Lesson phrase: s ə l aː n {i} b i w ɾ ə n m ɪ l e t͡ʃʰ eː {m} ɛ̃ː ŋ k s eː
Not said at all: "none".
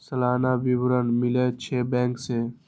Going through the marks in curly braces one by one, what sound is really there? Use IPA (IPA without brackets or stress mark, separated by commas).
a, b